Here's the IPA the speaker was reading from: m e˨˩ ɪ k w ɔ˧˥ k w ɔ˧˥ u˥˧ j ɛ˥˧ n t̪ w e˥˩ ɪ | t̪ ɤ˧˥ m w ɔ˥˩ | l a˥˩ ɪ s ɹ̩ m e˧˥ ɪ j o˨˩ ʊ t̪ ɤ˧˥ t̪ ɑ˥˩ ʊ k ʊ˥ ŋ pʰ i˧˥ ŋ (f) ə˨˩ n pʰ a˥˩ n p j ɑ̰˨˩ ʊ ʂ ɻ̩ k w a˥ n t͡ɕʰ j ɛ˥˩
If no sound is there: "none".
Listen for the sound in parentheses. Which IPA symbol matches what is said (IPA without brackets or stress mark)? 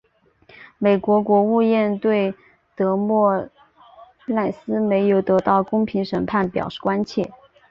ʂ